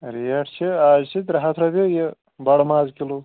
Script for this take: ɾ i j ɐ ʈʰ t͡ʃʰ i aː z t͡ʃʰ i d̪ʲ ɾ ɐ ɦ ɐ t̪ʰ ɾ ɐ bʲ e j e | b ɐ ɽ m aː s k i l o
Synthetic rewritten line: ɾ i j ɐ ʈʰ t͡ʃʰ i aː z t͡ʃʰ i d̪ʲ ɾ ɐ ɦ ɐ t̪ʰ ɾ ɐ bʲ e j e | b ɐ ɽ m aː z k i l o